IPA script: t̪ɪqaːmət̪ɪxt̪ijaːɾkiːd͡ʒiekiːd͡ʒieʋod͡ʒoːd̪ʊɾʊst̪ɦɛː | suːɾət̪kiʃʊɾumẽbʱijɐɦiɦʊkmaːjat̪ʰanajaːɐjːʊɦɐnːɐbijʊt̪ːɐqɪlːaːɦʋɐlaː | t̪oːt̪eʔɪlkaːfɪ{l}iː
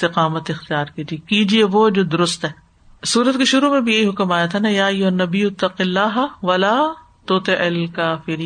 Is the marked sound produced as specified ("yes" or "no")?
no